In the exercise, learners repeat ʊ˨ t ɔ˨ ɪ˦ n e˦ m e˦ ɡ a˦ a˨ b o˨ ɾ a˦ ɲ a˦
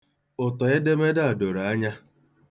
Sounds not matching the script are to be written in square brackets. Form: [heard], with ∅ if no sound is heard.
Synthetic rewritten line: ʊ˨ t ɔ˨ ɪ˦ [d] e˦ m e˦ [d] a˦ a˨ [d] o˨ ɾ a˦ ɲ a˦